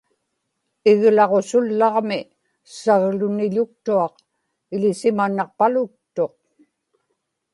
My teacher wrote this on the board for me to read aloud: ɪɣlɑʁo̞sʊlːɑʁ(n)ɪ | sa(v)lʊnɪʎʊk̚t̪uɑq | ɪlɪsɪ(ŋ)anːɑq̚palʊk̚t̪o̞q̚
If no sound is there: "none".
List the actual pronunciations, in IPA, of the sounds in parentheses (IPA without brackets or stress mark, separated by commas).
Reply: m, ɣ, m